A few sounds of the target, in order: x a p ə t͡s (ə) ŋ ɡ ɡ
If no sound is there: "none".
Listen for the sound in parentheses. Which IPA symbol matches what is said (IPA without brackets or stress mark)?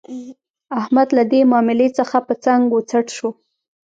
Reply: a